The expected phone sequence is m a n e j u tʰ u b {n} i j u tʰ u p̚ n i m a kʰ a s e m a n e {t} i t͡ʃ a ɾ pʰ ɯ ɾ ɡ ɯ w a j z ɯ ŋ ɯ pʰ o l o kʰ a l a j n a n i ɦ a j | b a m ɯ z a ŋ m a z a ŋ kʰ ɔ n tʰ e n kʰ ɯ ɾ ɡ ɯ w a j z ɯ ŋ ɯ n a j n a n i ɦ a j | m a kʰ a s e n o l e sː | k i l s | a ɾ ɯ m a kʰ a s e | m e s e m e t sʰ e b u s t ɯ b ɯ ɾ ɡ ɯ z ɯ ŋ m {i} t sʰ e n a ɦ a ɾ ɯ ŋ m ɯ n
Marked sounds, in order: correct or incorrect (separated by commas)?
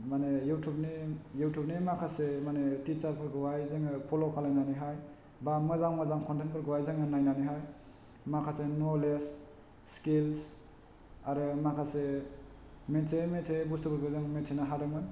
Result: correct, correct, incorrect